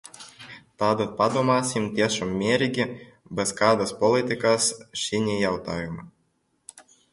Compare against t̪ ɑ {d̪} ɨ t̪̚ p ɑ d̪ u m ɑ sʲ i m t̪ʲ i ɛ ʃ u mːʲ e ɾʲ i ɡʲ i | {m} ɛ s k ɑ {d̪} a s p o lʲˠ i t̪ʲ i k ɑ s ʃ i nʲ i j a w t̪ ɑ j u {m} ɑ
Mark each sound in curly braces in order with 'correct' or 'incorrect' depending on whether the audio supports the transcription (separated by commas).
correct, incorrect, correct, correct